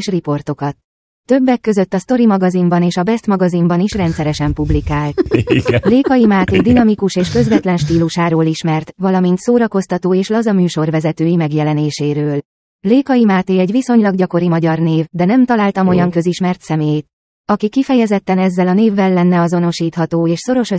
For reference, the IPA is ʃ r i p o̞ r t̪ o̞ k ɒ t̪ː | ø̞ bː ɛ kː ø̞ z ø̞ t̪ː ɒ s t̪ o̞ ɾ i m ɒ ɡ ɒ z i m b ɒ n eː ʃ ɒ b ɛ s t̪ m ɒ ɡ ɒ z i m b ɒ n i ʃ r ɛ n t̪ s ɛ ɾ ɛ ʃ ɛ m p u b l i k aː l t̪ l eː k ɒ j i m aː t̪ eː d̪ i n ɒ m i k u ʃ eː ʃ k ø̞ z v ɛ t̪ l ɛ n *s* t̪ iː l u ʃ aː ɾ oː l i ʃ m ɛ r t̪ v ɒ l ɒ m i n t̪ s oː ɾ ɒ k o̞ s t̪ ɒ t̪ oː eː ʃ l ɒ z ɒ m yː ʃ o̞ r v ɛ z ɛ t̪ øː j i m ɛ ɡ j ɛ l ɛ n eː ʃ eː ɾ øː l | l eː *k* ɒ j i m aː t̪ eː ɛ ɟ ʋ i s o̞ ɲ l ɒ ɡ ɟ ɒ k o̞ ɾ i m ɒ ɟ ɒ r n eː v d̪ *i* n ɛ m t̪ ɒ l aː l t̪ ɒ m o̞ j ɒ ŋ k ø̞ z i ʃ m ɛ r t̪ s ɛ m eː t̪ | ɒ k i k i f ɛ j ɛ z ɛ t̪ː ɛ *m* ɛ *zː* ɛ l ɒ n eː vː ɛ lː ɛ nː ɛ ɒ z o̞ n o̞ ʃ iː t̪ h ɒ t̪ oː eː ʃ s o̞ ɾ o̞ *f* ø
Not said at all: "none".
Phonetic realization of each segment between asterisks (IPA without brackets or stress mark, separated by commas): ʃ, k, ɛ, n, zː, ʃ